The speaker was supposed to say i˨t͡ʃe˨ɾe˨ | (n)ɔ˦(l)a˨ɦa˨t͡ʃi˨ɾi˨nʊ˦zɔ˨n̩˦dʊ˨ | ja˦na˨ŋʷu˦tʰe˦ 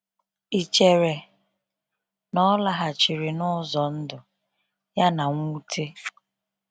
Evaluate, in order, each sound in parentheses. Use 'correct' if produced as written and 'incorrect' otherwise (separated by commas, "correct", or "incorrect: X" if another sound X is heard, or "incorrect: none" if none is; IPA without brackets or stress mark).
correct, correct